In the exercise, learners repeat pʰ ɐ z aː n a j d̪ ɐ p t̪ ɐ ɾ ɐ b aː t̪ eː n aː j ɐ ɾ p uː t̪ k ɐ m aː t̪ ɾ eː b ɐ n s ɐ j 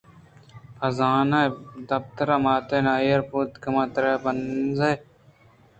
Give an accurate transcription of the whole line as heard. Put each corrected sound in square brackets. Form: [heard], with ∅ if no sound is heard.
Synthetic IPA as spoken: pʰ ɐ z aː n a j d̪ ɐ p t̪ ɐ ɾ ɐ [m] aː t̪ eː n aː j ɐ ɾ p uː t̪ k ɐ m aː t̪ ɾ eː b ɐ n [z] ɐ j